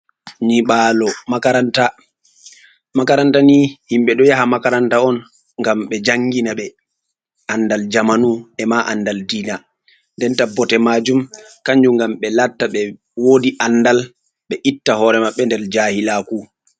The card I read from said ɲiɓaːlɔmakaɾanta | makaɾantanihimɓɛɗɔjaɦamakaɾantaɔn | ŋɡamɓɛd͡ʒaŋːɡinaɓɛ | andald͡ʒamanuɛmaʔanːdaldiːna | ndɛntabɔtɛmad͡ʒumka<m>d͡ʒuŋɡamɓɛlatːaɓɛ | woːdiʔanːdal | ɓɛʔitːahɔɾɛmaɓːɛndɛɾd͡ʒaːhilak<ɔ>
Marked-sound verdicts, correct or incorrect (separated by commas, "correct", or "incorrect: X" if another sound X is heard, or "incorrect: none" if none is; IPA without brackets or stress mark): incorrect: ɲ, incorrect: u